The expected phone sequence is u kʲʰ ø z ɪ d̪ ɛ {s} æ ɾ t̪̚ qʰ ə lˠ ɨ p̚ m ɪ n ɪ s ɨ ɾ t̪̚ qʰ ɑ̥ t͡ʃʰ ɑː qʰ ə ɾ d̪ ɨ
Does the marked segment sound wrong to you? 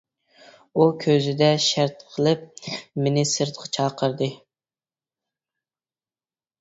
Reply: yes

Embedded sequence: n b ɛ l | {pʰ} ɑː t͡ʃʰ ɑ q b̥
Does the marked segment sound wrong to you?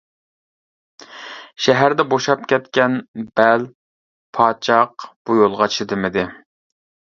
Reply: no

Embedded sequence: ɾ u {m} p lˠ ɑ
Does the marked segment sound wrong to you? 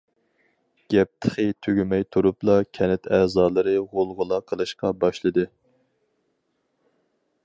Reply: yes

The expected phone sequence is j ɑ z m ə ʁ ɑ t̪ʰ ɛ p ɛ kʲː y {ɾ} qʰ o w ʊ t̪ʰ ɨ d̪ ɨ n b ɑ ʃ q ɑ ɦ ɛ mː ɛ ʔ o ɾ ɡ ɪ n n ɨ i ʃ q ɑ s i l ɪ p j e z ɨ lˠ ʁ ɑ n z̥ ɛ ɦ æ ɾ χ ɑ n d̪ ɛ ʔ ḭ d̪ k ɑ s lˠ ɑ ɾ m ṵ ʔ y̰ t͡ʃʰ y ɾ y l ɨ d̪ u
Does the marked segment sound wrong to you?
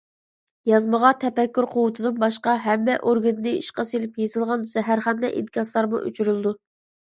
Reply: no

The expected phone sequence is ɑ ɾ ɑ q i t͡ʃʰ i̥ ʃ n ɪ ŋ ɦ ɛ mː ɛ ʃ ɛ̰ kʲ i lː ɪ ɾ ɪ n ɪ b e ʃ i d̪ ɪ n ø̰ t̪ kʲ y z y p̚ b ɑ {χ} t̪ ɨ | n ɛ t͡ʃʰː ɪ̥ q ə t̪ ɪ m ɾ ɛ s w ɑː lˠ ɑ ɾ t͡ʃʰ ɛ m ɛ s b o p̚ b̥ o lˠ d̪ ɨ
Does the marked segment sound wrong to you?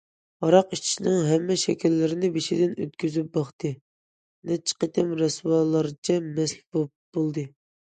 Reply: no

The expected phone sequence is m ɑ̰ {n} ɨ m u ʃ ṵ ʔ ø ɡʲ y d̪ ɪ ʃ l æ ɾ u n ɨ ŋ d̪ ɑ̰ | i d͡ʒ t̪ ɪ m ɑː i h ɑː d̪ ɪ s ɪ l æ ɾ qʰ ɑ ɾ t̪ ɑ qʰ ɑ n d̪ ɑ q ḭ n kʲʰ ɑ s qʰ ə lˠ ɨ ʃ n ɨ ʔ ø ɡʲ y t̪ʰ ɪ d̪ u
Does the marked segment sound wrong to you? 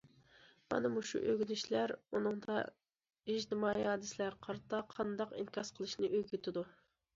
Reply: no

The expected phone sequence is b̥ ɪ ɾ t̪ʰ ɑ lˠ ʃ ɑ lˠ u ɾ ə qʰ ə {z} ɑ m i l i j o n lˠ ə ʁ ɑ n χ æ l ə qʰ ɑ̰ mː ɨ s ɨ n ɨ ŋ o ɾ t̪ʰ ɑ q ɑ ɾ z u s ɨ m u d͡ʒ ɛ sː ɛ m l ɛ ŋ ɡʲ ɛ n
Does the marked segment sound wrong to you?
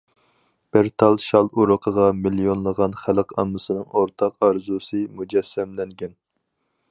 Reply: yes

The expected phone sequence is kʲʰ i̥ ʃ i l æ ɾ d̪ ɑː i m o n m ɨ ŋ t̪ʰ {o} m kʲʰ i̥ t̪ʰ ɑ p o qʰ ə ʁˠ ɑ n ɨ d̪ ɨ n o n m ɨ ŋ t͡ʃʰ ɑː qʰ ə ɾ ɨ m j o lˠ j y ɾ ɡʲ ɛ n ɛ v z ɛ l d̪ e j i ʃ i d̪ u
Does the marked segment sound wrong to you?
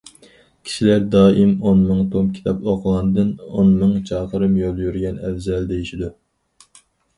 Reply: no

